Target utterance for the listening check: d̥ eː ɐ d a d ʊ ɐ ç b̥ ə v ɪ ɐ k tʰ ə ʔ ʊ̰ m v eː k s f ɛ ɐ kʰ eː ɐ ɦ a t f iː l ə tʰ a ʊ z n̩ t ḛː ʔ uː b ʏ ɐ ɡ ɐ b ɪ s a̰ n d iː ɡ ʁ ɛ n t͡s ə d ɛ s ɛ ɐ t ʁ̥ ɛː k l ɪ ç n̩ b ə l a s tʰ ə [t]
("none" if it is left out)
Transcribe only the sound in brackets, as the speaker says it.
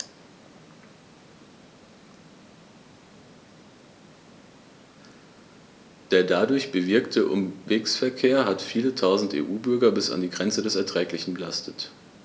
t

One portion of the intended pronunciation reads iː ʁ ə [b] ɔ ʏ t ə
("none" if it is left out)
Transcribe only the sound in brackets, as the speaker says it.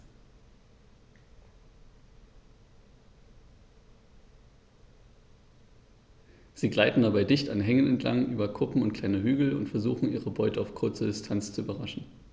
b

